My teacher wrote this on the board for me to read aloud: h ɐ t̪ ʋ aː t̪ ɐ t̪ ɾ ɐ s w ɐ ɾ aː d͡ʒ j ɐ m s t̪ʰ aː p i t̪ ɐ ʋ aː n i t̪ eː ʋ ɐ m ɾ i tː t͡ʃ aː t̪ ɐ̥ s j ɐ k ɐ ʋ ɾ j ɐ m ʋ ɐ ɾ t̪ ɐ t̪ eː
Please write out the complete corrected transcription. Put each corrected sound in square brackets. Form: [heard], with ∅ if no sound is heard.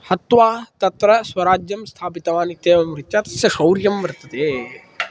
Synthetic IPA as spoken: h ɐ t̪ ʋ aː t̪ ɐ t̪ ɾ ɐ s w ɐ ɾ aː d͡ʒ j ɐ m s t̪ʰ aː p i t̪ ɐ ʋ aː n i t̪ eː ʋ ɐ m ɾ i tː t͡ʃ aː t̪ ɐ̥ s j ɐ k ɐ [w] ɾ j ɐ m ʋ ɐ ɾ t̪ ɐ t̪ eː